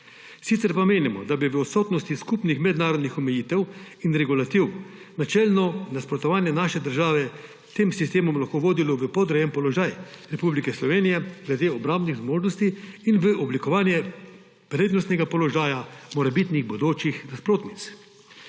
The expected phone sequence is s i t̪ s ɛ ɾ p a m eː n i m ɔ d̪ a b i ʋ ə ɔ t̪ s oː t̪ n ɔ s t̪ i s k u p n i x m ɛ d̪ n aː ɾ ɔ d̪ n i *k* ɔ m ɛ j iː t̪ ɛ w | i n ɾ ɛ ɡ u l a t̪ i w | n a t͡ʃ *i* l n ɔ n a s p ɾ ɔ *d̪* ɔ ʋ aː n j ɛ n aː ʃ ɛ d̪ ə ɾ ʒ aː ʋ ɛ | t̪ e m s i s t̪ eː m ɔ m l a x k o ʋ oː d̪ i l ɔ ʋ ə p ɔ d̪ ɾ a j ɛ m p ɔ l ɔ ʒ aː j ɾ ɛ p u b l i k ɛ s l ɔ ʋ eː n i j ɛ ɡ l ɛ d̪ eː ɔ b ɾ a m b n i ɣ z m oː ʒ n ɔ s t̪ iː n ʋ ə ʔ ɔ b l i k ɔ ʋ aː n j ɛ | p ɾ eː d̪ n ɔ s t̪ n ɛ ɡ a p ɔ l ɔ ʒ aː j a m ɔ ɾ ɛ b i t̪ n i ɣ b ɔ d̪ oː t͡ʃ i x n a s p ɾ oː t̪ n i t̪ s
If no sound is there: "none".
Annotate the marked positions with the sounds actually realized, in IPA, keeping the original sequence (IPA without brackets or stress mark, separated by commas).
x, ɛ, t̪